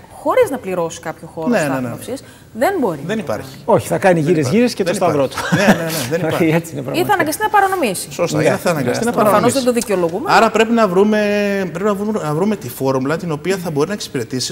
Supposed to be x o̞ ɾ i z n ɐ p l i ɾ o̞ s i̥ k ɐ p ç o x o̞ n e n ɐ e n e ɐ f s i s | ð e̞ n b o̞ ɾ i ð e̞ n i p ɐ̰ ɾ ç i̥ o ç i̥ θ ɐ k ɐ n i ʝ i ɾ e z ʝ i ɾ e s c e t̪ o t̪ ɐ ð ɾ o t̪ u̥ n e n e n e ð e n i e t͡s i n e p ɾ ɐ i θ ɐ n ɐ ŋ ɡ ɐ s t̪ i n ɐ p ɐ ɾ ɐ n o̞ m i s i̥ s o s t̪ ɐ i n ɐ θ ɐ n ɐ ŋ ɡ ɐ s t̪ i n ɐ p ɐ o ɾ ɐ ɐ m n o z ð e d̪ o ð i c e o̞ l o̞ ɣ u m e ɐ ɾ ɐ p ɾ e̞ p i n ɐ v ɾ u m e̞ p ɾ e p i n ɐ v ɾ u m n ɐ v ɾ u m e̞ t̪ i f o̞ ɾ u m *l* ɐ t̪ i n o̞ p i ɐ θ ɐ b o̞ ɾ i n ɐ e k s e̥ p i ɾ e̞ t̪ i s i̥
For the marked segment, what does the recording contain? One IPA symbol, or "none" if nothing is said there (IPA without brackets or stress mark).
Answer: l